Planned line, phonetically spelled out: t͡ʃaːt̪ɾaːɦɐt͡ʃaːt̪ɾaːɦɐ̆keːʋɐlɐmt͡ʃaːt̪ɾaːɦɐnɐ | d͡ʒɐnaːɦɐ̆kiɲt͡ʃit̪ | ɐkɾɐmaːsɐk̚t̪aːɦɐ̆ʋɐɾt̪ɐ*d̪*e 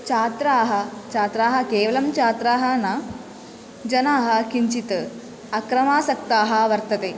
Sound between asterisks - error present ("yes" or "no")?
yes